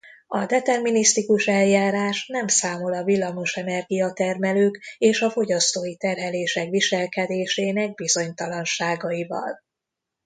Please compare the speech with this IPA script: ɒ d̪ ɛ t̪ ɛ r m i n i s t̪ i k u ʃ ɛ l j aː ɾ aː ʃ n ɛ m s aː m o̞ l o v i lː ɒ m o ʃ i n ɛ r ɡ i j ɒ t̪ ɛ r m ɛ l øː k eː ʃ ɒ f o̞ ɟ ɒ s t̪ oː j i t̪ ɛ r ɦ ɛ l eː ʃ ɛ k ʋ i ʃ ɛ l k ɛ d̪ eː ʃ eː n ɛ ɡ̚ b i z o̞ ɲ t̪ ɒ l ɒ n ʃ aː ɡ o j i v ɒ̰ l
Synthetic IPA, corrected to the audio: ɒ d̪ ɛ t̪ ɛ r m i n i s t̪ i k u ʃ ɛ l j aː ɾ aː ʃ n ɛ m s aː m o̞ l ɒ v i lː ɒ m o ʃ ɛ n ɛ r ɡ i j ɒ t̪ ɛ r m ɛ l øː k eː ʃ ɒ f o̞ ɟ ɒ s t̪ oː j i t̪ ɛ r ɦ ɛ l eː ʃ ɛ k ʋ i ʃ ɛ l k ɛ d̪ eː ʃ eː n ɛ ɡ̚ b i z o̞ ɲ t̪ ɒ l ɒ n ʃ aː ɡ ɒ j i v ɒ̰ l